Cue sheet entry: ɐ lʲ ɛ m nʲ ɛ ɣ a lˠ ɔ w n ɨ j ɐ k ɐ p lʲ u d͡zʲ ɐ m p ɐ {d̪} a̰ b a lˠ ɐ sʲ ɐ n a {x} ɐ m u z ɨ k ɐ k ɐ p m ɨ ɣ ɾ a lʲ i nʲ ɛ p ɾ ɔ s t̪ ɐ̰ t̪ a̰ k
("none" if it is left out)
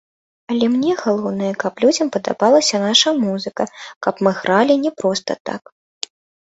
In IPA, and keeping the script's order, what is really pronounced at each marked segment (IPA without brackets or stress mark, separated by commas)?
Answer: d̪, ʂ